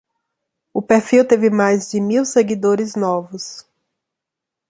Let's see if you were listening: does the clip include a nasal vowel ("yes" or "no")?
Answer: no